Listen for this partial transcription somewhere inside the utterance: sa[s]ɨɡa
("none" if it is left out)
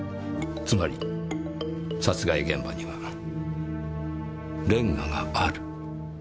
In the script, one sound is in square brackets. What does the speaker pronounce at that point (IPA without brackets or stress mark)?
t͡s